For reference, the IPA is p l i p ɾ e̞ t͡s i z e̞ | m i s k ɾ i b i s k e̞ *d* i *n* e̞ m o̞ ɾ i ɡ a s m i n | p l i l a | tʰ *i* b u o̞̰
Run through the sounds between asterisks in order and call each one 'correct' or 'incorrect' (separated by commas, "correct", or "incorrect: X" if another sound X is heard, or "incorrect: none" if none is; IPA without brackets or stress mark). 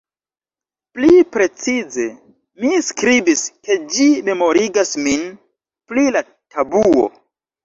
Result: incorrect: d͡ʒ, incorrect: m, incorrect: a